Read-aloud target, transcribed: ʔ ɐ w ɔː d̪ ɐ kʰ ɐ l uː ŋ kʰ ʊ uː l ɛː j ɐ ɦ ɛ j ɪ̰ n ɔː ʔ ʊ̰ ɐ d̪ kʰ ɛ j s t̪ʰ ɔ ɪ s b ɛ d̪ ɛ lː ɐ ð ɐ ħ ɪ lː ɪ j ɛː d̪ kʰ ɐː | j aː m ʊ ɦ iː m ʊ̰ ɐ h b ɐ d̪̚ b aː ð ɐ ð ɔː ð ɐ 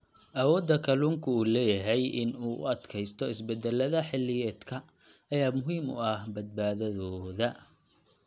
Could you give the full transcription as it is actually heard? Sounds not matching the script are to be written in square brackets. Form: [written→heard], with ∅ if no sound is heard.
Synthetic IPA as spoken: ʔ ɐ w ɔː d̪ ɐ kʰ ɐ l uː ŋ kʰ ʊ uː l ɛː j ɐ ɦ ɛ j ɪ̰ n [ɔː→uː] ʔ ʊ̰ ɐ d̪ kʰ ɛ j s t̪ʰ ɔ ɪ s b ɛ d̪ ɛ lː ɐ ð ɐ ħ ɪ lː ɪ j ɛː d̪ kʰ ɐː | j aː m ʊ ɦ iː m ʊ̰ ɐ h b ɐ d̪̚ b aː ð ɐ ð ɔː ð ɐ